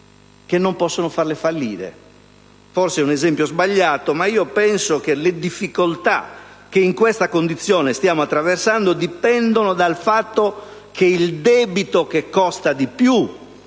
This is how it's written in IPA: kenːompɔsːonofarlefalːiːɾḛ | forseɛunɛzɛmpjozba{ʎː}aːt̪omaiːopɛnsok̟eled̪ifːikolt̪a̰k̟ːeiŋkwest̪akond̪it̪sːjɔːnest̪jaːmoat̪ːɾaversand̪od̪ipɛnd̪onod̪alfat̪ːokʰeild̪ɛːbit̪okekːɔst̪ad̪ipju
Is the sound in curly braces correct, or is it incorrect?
correct